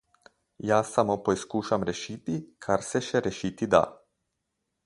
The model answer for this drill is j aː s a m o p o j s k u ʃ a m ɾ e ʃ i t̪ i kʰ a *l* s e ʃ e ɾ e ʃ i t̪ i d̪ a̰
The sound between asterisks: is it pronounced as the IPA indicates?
no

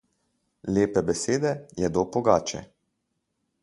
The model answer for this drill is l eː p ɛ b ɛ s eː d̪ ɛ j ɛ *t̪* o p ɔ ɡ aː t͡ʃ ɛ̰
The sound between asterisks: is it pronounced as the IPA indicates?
no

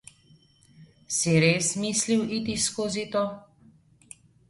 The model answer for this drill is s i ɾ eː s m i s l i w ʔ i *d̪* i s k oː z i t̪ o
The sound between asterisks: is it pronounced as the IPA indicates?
no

